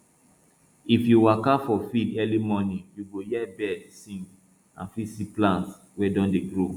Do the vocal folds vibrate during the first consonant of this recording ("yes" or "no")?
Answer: no